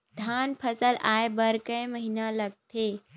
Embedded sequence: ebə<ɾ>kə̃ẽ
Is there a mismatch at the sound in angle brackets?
no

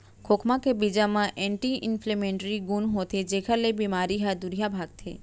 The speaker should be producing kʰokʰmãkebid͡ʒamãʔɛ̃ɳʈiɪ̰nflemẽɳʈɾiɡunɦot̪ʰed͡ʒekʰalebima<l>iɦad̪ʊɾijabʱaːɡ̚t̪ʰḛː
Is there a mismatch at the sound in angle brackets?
yes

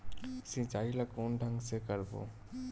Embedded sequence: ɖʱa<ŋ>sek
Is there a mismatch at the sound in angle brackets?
no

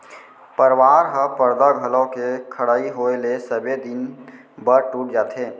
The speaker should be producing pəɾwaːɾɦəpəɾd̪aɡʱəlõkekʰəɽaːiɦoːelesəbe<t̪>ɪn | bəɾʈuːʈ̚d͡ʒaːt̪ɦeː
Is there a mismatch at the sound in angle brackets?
yes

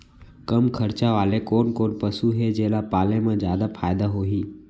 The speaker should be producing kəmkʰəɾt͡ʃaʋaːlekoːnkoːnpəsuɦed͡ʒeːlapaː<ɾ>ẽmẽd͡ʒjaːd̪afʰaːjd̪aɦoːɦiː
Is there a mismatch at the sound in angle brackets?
yes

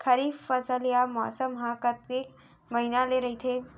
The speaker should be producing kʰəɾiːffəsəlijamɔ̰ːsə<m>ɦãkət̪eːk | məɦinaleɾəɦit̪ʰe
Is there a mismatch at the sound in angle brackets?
no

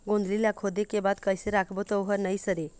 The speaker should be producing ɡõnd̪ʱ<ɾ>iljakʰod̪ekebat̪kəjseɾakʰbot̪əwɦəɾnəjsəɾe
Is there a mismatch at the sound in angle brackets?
yes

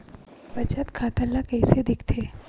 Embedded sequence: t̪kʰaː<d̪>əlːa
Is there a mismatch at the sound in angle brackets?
yes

